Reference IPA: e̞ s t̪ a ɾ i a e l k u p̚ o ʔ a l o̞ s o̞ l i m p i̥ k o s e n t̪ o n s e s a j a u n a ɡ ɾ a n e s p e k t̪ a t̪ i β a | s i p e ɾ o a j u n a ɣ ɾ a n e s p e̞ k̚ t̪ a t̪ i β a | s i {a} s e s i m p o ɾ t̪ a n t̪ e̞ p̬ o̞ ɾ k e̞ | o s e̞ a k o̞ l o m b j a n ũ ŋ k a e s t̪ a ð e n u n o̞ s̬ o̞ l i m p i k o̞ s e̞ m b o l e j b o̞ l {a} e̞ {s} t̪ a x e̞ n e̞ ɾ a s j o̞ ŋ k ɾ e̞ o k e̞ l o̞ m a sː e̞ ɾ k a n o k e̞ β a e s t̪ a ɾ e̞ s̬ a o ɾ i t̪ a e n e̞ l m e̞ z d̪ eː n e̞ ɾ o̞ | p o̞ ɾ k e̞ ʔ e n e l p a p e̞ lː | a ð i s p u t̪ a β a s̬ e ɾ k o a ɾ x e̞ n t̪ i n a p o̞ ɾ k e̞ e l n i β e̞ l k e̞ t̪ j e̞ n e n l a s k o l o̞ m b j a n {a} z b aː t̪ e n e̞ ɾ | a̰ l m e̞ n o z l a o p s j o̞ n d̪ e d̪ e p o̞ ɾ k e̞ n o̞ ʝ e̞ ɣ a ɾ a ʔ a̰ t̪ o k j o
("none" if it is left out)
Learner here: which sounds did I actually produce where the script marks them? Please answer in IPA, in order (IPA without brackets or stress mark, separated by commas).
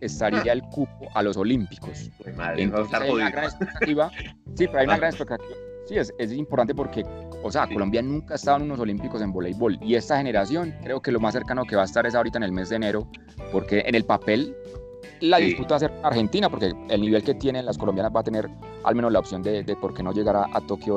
e, i, s, a